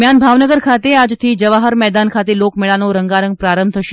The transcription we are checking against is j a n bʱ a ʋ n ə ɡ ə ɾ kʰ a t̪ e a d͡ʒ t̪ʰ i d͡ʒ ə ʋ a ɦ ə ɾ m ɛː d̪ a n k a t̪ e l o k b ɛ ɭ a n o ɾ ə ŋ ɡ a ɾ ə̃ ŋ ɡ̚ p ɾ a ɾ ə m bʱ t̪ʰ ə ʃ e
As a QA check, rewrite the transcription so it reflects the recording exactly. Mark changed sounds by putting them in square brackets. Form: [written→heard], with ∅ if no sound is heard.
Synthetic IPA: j a n bʱ a ʋ n ə ɡ ə ɾ kʰ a t̪ e a d͡ʒ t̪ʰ i d͡ʒ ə ʋ a ɦ ə ɾ m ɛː d̪ a n [k→kʰ] a t̪ e l o k [b→m] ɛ ɭ a n o ɾ ə ŋ ɡ a ɾ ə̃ ŋ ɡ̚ p ɾ a ɾ ə m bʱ t̪ʰ ə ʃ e